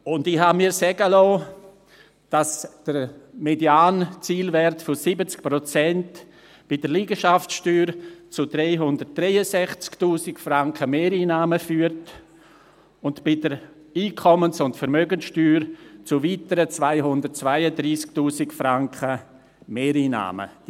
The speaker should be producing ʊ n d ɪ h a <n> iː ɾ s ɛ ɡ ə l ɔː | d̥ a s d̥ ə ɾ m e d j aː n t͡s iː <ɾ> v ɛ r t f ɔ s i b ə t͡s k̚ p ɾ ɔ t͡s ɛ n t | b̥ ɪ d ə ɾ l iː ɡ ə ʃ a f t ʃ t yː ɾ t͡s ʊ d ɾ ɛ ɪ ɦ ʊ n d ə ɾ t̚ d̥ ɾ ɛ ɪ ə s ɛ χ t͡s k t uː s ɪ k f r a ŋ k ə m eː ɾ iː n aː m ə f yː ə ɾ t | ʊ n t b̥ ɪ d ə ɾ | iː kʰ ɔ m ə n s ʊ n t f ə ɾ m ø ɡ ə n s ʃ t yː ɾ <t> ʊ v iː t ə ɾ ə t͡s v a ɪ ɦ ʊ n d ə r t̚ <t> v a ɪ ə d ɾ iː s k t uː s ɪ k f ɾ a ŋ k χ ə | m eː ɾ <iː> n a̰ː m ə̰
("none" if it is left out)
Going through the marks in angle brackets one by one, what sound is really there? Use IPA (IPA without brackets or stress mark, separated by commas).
m, l, t͡s, t͡s, iː